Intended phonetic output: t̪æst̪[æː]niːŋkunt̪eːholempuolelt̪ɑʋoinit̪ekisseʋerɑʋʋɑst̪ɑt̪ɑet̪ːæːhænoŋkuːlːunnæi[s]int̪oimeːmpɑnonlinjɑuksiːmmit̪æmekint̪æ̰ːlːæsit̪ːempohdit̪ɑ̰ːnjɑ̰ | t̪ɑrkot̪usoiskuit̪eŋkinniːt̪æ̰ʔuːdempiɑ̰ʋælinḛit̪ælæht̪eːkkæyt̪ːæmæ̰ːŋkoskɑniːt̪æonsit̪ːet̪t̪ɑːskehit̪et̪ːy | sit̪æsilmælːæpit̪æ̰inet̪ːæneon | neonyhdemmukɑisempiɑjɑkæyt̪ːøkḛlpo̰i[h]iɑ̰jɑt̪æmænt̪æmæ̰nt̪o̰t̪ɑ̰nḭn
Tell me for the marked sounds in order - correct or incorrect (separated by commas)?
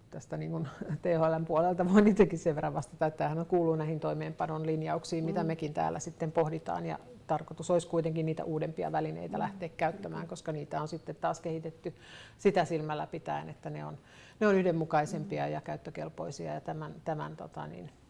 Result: incorrect, incorrect, incorrect